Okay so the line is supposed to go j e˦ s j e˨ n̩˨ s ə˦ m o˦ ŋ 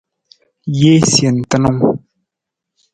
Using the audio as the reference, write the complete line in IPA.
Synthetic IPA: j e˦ s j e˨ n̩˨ t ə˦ n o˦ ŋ